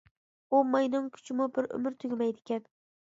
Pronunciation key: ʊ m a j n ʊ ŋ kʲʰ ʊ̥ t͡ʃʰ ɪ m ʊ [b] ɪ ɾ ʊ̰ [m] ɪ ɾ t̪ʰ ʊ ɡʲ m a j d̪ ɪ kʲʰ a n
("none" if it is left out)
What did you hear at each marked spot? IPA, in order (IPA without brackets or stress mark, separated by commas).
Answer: b, m